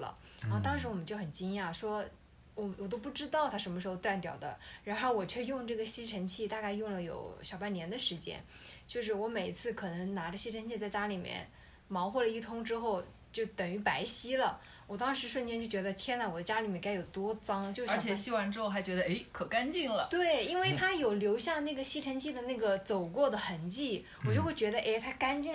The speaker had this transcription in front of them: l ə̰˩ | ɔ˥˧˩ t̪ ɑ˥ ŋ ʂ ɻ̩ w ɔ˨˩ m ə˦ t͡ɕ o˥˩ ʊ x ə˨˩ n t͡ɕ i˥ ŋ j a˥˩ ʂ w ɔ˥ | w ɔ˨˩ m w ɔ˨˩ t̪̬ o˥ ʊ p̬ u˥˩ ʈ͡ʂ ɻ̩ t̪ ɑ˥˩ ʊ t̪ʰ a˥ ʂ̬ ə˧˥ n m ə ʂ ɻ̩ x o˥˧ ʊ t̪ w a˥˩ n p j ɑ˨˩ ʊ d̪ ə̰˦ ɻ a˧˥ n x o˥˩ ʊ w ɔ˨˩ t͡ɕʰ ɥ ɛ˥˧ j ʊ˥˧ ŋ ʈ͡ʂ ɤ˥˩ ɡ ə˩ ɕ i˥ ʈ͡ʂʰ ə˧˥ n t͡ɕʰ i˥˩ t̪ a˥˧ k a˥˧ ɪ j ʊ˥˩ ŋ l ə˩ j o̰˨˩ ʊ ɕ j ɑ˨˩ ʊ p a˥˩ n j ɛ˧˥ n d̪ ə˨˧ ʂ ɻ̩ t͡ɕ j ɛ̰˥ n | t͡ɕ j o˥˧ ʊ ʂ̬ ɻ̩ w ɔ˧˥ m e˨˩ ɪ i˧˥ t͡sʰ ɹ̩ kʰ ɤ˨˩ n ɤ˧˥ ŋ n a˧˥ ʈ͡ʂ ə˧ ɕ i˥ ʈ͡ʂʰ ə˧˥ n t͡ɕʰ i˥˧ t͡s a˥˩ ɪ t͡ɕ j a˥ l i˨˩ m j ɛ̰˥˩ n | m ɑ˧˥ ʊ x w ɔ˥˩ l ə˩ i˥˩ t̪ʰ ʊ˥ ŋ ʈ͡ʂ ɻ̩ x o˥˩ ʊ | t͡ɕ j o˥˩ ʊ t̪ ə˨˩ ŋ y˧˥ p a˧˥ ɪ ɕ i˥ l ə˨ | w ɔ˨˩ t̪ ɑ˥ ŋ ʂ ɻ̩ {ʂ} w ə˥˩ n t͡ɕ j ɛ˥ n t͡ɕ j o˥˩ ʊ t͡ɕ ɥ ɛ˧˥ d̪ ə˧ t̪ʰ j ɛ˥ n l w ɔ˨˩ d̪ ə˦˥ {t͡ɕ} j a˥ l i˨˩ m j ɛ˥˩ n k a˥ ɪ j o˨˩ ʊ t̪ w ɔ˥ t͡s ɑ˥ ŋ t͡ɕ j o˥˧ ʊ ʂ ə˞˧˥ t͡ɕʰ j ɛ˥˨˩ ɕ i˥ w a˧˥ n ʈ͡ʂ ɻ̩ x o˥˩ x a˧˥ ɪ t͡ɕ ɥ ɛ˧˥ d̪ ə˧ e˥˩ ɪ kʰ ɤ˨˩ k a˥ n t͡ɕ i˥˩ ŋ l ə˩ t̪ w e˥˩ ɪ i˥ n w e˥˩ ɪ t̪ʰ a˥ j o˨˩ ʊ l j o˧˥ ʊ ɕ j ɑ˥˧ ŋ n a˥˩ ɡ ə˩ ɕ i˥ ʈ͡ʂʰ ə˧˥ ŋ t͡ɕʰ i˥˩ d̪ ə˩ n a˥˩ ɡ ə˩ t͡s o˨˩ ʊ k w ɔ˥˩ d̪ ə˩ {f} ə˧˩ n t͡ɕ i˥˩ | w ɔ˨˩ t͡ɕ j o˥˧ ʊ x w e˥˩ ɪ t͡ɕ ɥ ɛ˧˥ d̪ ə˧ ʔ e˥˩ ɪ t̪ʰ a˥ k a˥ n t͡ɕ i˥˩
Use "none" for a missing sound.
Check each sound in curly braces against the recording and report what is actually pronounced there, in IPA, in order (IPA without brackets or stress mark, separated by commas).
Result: ʂ, t͡ɕ, x